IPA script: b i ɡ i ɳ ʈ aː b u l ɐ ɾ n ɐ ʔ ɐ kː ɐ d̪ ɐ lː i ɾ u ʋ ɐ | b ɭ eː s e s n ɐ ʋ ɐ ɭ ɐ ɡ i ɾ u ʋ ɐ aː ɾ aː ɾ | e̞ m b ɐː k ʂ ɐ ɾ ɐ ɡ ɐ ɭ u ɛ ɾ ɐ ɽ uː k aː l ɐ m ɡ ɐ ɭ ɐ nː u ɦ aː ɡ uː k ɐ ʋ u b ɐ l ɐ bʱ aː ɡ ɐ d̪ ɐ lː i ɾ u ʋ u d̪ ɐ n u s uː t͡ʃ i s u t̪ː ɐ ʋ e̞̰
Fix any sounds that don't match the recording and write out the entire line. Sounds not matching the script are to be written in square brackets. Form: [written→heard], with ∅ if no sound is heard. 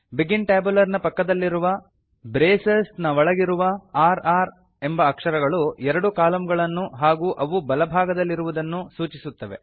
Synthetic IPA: b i ɡ i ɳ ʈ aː b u l ɐ ɾ n ɐ [ʔ→p] ɐ kː ɐ d̪ ɐ lː i ɾ u ʋ ɐ | b [ɭ→ɾ] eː s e s n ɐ ʋ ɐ ɭ ɐ ɡ i ɾ u ʋ ɐ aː ɾ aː ɾ | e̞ m b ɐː k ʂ ɐ ɾ ɐ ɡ ɐ ɭ u ɛ ɾ ɐ ɽ [uː→u] k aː l ɐ m ɡ ɐ ɭ ɐ nː u ɦ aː ɡ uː [k→ʔ] ɐ ʋ u b ɐ l ɐ bʱ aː ɡ ɐ d̪ ɐ lː i ɾ u ʋ u d̪ ɐ [n→nː] u s uː t͡ʃ i s u t̪ː ɐ ʋ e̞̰

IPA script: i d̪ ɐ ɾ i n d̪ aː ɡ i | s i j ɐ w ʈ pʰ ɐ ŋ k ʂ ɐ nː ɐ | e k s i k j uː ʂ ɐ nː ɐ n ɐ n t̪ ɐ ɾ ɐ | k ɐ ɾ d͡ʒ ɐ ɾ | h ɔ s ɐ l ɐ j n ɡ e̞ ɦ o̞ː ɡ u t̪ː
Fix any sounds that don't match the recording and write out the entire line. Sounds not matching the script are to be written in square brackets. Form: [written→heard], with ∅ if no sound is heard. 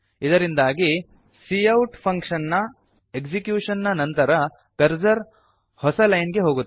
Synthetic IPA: i d̪ ɐ ɾ i n d̪ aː ɡ i | s i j ɐ w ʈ pʰ ɐ ŋ k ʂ ɐ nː ɐ | e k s i k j uː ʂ ɐ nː ɐ n ɐ n t̪ ɐ ɾ ɐ | k ɐ ɾ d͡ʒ ɐ ɾ | h ɔ s ɐ l ɐ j n ɡ e̞ ɦ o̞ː ɡ u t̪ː

